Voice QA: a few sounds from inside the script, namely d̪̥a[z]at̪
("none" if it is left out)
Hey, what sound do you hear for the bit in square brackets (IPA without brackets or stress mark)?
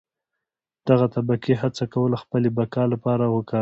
ɣ